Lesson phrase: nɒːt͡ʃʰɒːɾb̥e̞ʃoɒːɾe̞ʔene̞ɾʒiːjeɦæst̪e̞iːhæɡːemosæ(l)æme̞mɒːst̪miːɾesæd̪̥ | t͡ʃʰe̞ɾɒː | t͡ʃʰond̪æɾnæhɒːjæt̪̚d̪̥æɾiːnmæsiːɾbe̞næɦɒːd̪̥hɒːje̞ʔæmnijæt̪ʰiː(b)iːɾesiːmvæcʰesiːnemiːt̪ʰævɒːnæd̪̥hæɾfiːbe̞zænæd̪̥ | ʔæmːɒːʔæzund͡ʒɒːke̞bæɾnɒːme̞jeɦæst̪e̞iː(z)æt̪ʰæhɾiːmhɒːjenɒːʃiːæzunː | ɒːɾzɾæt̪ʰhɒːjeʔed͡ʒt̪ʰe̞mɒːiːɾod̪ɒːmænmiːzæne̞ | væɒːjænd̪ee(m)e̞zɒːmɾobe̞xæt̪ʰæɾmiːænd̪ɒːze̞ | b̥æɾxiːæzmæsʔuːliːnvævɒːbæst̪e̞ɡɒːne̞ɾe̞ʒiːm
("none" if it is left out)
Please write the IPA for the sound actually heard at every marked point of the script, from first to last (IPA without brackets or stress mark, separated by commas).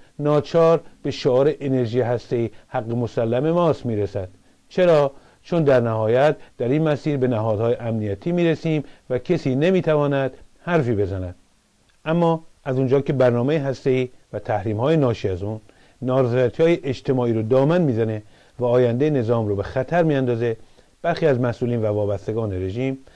lː, m, v, n